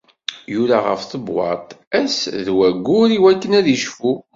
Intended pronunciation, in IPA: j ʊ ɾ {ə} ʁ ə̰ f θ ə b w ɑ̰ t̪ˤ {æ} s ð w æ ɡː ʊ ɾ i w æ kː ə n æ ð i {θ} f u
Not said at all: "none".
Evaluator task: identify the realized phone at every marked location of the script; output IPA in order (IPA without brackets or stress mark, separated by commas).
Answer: a, æ, ʃ